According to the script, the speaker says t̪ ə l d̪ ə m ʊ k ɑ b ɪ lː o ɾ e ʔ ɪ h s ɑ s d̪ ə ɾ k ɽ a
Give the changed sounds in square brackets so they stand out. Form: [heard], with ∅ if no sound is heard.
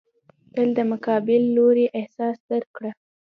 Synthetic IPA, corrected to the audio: t̪ ə l d̪ ə m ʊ k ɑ b ɪ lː o ɾ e ʔ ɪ h s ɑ s d̪ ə ɾ k ɽ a